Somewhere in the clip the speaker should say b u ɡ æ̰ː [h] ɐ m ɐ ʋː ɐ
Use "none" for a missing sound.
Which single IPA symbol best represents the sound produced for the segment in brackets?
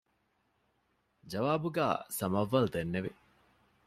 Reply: s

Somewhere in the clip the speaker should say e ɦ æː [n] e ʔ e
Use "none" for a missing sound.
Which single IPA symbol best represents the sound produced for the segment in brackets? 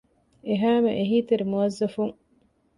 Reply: m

